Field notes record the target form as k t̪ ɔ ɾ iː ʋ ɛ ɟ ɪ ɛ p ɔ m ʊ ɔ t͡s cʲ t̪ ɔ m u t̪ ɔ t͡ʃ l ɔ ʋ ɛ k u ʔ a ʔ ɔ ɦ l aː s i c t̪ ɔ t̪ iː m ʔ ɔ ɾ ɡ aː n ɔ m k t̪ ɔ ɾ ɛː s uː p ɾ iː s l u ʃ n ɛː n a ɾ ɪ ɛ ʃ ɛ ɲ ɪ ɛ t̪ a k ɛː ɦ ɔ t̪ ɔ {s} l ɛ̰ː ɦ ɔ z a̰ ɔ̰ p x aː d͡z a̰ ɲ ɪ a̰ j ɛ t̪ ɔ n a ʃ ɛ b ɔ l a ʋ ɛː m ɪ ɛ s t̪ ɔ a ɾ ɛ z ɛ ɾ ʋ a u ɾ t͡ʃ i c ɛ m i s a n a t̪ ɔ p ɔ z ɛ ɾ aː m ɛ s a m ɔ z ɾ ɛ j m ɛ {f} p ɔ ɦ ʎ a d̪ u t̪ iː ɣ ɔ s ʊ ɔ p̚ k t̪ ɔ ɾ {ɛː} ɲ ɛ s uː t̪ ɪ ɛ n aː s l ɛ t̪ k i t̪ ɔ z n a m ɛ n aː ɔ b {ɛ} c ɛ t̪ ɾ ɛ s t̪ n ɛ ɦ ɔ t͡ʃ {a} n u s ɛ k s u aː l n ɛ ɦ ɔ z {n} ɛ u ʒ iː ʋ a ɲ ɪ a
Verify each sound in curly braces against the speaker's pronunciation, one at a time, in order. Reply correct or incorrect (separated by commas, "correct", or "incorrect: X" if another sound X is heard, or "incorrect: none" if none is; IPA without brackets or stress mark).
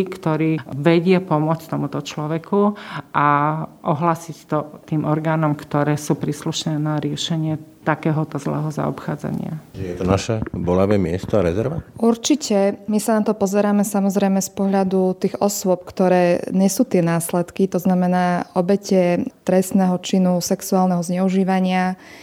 incorrect: z, incorrect: s, correct, correct, incorrect: i, incorrect: ɲ